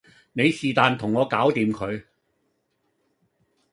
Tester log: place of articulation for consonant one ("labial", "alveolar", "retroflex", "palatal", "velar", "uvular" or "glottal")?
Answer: alveolar